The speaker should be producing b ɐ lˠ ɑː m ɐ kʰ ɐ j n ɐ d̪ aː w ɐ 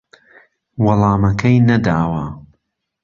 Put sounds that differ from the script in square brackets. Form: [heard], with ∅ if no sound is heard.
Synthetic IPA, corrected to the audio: [w] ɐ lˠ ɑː m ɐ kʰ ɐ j n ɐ d̪ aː w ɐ